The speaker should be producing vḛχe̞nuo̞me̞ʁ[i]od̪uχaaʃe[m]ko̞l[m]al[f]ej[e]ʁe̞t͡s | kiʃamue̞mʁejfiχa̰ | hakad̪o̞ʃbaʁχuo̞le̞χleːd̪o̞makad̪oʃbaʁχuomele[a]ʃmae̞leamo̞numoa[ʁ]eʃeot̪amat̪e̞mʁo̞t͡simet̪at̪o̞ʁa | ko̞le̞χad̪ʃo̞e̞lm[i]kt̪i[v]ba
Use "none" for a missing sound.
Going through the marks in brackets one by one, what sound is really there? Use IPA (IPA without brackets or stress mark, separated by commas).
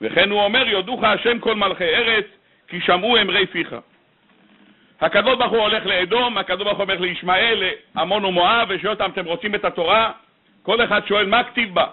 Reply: j, m, m, χ, e, i, v, a, v